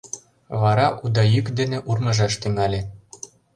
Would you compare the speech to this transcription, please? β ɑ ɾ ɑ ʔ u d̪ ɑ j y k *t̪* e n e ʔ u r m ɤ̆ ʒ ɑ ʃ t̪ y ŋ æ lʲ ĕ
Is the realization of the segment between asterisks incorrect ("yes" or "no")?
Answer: yes